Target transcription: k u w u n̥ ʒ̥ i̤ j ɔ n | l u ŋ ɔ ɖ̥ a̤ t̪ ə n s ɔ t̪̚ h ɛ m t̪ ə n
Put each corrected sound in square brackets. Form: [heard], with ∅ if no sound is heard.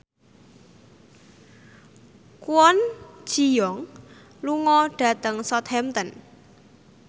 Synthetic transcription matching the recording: k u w [ɔ] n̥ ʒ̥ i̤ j ɔ [ŋ] | l u ŋ ɔ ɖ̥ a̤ t̪ ə [ŋ] s ɔ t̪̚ h ɛ m t̪ ə n